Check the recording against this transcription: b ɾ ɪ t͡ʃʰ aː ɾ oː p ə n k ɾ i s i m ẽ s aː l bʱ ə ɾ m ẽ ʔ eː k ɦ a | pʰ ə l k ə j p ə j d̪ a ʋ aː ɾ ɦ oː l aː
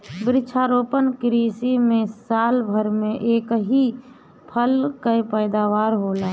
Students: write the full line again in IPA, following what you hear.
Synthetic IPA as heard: b ɾ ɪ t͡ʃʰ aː ɾ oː p ə n k ɾ i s i m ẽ s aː l bʱ ə ɾ m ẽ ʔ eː k ɦ i | pʰ ə l k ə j p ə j d̪ a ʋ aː ɾ ɦ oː l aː